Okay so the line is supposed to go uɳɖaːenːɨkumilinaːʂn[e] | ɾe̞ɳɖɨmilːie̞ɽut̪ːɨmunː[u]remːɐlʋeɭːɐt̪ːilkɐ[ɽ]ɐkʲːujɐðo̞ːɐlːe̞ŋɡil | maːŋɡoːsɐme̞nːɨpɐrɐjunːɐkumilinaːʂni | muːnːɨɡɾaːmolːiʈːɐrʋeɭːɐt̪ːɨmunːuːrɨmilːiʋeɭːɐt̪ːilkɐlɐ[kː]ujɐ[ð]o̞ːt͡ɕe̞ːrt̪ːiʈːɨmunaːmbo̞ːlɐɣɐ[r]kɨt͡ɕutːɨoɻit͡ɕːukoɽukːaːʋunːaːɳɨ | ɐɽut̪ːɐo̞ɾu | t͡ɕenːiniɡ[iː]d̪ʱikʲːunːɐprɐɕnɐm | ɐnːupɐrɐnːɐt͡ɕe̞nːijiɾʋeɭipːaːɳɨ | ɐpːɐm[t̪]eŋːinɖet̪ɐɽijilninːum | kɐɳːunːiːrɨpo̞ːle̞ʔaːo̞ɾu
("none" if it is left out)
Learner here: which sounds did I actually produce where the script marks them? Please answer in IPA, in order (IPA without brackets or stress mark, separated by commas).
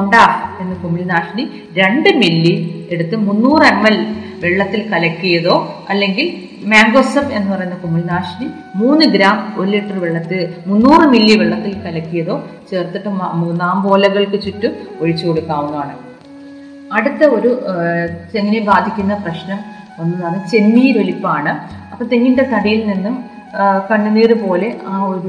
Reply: i, uː, l, kː, ð, ɭ, aː, t̪